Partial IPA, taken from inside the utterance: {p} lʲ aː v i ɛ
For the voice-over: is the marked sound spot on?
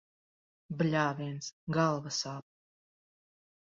no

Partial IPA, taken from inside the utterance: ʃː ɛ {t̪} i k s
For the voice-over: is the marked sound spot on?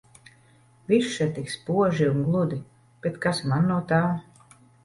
yes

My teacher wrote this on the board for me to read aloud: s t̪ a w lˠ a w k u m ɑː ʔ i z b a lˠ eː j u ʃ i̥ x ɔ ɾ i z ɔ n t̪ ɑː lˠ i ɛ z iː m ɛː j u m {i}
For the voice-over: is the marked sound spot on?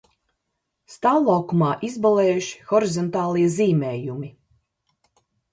yes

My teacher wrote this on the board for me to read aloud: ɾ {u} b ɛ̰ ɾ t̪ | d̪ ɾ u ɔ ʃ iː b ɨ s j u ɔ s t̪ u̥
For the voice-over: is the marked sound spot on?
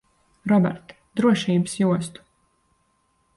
no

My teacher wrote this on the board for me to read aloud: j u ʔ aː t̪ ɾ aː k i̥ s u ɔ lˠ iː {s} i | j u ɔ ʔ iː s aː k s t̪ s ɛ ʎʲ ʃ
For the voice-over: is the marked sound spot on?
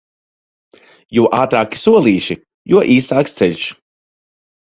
no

